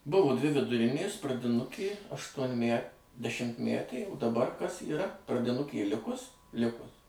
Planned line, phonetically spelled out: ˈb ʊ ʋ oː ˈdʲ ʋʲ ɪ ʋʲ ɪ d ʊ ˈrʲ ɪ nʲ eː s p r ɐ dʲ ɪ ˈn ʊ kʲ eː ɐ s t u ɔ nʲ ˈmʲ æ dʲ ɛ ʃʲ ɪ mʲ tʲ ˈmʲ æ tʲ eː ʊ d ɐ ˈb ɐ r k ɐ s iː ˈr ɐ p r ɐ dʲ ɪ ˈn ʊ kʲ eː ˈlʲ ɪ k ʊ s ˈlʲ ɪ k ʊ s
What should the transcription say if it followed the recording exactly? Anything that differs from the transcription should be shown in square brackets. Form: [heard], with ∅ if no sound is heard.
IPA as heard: ˈb ʊ ʋ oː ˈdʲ ʋʲ ɪ ʋʲ ɪ d ʊ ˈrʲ ɪ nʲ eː s p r ɐ dʲ ɪ ˈn ʊ kʲ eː ɐ [ʃ] t u ɔ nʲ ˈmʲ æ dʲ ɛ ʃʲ ɪ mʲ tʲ ˈmʲ æ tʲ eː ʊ d ɐ ˈb ɐ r k ɐ s iː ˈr ɐ p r ɐ dʲ ɪ ˈn ʊ kʲ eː ˈlʲ ɪ k ʊ s ˈlʲ ɪ k ʊ s